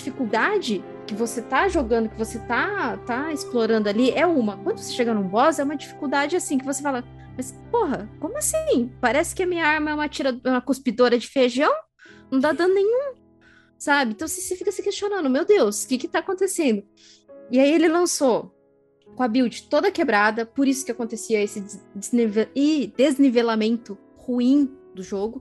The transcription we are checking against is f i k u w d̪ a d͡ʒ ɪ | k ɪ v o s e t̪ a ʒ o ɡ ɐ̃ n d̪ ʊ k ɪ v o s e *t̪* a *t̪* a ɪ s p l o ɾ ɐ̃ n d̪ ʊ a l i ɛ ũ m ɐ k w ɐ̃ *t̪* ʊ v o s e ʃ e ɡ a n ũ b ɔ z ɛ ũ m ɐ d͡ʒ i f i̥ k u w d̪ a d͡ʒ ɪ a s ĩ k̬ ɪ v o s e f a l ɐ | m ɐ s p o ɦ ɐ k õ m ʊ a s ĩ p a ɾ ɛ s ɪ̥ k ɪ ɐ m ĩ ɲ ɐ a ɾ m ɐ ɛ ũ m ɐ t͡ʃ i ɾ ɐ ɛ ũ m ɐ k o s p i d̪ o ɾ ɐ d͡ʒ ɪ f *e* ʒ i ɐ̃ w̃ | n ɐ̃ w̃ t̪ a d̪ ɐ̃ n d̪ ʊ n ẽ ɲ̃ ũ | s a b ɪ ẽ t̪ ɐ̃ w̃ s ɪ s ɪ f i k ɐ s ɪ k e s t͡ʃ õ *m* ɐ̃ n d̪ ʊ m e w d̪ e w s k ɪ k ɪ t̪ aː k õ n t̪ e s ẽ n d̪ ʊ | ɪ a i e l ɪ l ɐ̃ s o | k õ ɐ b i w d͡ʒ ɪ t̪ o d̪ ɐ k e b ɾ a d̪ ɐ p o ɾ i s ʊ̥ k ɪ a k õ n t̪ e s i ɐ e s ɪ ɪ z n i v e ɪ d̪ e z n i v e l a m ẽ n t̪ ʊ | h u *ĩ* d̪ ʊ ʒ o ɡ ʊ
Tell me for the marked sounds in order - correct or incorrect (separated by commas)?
correct, correct, incorrect, correct, incorrect, correct